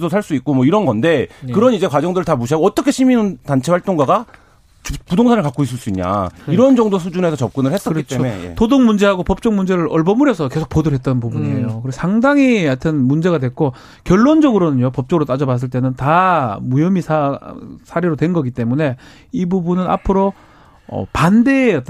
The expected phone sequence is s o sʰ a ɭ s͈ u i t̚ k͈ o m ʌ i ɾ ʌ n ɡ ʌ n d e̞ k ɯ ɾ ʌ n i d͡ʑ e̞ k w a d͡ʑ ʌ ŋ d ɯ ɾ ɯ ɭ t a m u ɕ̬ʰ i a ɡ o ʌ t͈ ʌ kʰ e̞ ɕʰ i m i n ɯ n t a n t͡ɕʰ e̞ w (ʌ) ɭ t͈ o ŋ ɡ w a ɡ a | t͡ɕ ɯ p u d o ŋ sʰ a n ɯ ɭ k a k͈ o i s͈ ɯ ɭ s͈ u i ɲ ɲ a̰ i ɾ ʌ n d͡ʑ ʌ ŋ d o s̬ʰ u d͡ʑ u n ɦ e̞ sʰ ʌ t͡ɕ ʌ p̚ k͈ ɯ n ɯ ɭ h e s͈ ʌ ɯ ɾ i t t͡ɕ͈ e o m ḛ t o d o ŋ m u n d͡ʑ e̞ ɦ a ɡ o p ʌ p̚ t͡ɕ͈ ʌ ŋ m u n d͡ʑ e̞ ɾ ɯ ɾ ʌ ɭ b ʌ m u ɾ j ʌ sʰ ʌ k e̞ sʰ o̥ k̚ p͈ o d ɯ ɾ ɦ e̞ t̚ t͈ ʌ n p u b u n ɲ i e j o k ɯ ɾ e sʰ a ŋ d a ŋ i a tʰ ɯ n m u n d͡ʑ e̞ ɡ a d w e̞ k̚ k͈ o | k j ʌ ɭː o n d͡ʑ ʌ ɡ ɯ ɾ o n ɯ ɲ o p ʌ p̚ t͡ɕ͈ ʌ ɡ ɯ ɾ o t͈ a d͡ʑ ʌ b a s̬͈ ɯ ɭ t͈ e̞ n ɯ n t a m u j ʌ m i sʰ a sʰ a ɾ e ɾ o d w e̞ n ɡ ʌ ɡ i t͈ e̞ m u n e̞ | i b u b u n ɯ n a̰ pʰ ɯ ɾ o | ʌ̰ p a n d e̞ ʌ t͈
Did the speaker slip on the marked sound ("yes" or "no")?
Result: yes